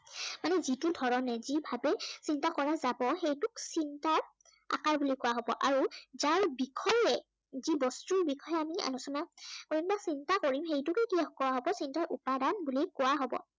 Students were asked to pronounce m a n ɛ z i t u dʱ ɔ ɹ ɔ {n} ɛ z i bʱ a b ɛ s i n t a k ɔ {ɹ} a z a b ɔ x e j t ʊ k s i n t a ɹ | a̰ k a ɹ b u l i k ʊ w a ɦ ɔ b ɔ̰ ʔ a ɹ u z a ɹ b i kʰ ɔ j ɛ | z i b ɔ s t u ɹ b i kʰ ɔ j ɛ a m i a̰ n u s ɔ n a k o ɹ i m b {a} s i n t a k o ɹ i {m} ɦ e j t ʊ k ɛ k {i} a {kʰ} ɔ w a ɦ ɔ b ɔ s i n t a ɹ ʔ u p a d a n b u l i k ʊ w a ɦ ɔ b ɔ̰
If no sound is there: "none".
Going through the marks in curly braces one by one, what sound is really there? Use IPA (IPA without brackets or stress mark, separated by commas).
n, ɹ, a, m, i, k